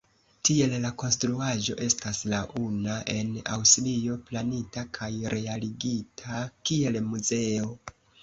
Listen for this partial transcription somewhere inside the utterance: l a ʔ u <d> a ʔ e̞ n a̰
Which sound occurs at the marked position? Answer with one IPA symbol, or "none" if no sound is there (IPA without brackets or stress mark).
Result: n